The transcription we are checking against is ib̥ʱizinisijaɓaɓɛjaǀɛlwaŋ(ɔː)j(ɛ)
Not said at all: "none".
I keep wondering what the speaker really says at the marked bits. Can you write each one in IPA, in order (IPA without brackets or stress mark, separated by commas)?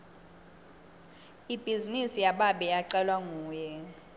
uː, ɛ